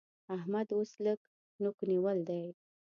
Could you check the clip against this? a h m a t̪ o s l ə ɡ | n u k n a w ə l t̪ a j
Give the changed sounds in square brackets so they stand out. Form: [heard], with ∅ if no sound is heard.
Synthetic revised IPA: a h m a [d̪] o s l ə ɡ | n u k n [i] w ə l [d̪] a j